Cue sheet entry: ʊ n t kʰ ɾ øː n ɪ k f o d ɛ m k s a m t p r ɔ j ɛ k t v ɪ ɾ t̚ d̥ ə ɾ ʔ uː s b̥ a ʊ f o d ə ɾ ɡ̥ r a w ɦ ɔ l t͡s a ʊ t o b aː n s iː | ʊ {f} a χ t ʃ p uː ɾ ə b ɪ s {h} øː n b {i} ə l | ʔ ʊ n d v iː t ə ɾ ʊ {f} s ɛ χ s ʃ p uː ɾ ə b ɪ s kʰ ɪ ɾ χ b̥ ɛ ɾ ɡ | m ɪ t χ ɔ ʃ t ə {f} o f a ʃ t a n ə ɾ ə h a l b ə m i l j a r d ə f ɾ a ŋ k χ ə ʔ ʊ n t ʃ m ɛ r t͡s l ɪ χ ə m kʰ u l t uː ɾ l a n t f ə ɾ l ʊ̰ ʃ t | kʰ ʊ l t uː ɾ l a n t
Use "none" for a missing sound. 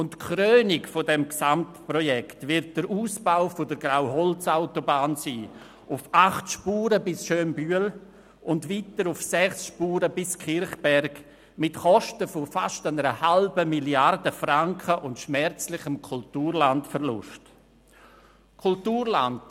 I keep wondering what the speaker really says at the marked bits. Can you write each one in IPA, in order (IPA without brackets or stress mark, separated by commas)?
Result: f, ʃ, y, f, f